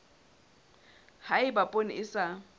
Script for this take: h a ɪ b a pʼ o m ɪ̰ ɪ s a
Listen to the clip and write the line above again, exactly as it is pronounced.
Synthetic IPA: h a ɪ b a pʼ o n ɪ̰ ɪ s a